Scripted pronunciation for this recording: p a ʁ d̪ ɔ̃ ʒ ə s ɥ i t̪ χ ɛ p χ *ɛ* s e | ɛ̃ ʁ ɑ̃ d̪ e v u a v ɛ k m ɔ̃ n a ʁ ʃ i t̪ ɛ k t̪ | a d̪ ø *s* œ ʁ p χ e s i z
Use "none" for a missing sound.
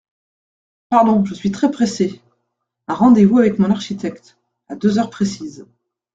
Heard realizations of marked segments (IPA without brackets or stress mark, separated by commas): e, z